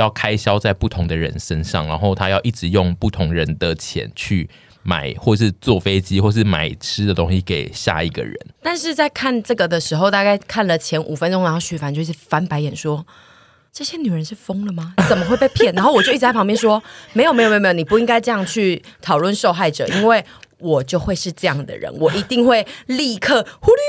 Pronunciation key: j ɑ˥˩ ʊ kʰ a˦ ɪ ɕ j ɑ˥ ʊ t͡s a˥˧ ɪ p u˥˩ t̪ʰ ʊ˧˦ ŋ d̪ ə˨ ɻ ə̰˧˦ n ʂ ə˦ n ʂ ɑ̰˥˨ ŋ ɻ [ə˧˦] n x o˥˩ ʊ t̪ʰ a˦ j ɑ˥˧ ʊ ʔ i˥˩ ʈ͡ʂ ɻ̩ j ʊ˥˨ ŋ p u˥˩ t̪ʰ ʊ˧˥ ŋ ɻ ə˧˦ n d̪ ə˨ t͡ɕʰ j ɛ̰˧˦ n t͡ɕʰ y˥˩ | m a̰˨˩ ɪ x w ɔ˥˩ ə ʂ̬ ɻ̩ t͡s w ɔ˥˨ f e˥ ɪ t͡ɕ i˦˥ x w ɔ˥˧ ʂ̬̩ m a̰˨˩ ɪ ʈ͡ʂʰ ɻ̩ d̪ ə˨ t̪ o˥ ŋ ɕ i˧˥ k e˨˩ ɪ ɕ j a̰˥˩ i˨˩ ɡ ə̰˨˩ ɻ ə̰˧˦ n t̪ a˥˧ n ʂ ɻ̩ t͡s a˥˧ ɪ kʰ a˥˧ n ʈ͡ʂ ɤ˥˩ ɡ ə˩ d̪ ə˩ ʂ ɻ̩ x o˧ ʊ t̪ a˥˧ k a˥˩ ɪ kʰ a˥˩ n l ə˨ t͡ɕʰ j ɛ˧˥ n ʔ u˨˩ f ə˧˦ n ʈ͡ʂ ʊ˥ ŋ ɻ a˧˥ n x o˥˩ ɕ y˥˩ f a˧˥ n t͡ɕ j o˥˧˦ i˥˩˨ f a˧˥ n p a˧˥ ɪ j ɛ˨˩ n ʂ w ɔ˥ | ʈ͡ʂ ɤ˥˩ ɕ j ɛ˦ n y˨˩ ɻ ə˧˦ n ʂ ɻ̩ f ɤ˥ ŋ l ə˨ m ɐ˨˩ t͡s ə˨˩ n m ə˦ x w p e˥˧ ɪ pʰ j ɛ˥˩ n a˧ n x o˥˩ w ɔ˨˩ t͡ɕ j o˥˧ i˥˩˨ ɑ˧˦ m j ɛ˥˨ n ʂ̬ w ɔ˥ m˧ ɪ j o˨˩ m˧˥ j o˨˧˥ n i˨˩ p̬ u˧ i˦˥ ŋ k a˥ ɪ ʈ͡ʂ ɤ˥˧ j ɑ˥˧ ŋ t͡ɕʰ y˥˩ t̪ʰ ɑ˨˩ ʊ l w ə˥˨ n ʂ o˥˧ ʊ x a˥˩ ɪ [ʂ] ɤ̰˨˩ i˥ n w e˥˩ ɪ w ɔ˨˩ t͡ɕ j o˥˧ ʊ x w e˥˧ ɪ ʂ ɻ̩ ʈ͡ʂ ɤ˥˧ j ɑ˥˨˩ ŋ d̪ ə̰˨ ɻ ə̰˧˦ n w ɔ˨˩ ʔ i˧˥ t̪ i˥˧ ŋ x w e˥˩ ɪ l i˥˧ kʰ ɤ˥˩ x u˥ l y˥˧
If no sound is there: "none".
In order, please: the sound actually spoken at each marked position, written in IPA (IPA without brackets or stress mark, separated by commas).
a˧˦, ʈ͡ʂ